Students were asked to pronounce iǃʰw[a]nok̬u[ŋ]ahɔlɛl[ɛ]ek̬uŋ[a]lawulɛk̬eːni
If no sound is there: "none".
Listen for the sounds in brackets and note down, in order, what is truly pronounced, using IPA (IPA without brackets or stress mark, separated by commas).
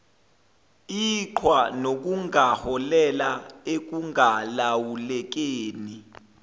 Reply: a, ŋ, a, a